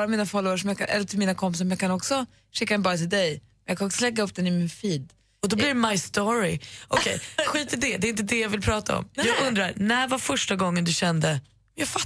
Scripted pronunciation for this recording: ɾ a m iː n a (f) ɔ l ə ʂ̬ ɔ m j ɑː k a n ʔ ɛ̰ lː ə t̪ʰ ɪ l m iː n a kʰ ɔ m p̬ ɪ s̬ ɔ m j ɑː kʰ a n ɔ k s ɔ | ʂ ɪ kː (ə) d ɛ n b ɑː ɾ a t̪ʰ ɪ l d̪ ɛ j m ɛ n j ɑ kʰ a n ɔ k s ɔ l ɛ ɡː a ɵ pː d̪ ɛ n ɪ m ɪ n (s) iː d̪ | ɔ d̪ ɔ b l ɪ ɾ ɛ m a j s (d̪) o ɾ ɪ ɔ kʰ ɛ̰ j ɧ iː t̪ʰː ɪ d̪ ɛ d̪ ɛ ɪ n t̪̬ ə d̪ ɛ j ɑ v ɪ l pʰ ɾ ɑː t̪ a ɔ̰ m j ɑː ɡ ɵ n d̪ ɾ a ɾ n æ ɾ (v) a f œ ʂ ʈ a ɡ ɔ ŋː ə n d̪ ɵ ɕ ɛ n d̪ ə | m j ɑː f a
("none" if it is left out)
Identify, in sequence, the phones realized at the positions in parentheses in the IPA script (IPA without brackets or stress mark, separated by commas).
f, a, f, t̪, v